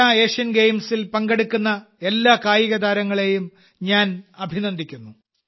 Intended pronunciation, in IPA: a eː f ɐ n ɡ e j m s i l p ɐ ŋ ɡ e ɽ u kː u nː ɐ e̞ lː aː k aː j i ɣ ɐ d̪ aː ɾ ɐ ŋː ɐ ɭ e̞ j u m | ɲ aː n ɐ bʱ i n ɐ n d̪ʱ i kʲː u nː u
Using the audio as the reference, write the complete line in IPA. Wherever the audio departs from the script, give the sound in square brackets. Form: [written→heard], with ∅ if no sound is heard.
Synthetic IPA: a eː [f→ʂ] ɐ n ɡ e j m s i l p ɐ ŋ ɡ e ɽ u kː u nː ɐ e̞ lː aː k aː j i ɣ ɐ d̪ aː ɾ ɐ ŋː ɐ ɭ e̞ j u m | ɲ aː n ɐ bʱ i n ɐ n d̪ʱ i kʲː u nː u